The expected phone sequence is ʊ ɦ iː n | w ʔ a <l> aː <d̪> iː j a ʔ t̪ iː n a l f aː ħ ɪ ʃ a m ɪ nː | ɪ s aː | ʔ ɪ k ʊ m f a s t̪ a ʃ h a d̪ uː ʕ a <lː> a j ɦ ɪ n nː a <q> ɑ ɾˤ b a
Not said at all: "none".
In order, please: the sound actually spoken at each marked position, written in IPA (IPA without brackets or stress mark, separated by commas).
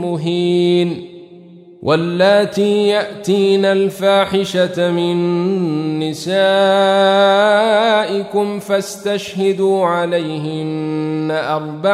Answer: lː, t̪, l, ʔ